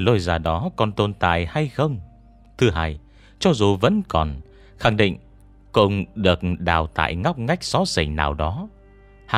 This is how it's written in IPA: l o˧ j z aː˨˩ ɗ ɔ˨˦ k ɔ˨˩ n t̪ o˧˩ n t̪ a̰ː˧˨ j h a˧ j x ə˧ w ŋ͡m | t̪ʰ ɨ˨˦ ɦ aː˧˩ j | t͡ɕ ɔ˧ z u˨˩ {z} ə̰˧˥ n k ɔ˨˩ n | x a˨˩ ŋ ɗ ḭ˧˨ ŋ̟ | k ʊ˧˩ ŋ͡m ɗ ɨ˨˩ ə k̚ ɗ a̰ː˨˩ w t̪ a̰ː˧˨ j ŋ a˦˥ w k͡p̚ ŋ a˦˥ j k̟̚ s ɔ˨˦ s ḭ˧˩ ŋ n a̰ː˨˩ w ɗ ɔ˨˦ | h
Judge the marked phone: incorrect: v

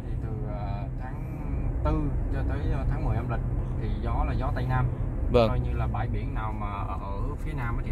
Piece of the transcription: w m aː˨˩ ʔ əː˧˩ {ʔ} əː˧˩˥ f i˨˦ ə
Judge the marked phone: correct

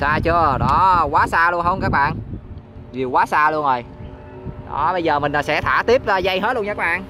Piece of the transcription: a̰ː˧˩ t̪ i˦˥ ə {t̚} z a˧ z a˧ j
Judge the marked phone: incorrect: p̚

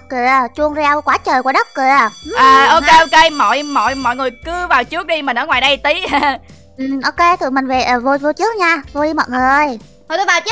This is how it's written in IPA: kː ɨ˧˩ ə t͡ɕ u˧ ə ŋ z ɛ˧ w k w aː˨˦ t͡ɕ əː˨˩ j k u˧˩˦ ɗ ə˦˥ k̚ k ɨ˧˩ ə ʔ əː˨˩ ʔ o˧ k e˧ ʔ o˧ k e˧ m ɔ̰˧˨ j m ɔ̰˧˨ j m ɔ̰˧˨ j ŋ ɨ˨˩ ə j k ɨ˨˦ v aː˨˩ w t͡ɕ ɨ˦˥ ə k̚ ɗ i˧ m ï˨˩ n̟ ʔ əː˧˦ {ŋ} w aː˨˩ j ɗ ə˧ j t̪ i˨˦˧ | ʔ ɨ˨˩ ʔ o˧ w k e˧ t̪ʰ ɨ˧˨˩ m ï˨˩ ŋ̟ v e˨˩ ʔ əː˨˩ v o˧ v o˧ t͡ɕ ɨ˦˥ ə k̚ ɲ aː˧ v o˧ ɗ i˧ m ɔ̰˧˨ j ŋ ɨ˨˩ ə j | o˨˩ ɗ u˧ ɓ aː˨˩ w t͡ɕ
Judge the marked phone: correct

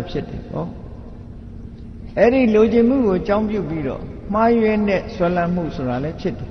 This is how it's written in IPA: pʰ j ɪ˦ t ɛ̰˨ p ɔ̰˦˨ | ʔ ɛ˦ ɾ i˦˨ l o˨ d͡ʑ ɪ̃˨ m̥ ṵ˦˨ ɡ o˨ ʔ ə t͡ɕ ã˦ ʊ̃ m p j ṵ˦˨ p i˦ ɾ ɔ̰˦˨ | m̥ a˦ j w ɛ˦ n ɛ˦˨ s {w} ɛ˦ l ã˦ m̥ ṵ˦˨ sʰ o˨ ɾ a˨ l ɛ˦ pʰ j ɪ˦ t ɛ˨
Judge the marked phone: correct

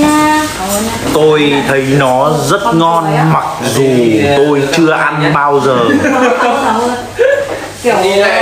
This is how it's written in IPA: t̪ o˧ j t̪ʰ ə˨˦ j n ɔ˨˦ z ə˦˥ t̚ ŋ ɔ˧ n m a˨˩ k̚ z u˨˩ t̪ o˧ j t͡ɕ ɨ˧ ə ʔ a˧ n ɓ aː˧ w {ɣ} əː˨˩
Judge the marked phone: incorrect: z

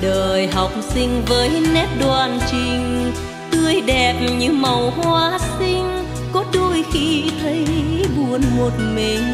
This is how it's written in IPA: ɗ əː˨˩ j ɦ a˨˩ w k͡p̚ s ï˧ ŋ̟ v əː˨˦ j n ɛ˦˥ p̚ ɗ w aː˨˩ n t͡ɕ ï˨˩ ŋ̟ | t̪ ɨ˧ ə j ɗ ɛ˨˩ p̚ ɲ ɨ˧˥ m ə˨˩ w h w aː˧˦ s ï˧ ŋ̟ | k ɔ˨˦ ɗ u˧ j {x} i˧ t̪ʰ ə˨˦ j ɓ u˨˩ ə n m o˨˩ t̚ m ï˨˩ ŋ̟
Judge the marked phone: correct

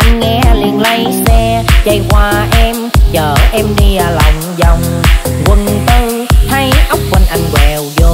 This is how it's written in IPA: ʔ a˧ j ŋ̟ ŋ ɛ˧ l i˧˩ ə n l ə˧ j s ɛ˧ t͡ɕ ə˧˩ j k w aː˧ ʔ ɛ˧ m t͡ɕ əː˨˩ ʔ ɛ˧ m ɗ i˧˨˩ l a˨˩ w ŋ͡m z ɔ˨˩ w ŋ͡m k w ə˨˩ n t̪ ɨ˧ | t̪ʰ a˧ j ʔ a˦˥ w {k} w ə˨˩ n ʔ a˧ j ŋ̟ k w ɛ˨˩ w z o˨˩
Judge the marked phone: incorrect: k͡p̚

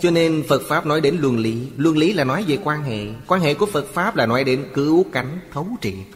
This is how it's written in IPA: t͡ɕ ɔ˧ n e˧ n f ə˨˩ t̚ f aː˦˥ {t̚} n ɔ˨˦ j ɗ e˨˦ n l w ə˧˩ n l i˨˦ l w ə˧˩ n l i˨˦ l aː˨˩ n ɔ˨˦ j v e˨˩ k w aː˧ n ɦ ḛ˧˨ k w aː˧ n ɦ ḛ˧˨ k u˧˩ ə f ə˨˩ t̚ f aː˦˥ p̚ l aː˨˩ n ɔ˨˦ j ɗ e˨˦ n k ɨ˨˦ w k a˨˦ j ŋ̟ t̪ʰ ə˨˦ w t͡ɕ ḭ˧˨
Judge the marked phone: incorrect: p̚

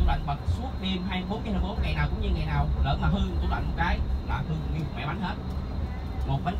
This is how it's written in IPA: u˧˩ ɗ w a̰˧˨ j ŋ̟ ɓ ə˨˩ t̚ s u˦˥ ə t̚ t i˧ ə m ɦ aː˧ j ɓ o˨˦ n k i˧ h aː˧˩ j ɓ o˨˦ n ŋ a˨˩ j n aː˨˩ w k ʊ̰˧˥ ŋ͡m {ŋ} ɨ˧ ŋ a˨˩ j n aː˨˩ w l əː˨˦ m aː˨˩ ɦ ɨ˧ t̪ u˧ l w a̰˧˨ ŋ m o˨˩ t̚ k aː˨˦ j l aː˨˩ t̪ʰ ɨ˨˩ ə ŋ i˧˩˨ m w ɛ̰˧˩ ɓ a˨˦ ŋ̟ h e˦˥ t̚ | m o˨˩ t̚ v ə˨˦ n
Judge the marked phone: incorrect: ɲ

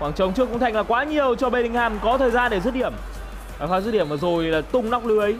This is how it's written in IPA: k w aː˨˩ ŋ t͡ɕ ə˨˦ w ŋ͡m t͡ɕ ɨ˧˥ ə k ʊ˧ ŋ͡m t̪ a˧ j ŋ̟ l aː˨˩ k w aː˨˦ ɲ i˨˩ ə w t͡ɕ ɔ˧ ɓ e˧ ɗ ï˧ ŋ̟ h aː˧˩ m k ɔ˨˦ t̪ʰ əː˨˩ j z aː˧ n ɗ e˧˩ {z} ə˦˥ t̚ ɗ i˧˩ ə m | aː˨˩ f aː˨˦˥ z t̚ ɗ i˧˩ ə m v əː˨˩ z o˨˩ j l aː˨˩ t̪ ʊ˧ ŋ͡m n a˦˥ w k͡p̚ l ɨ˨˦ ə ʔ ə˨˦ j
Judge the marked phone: correct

